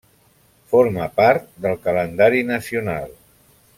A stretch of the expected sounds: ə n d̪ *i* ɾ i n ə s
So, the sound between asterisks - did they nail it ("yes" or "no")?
no